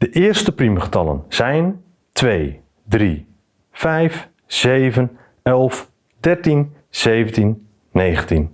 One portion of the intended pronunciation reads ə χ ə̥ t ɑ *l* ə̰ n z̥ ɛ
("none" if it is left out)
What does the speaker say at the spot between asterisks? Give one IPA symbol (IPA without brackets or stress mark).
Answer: l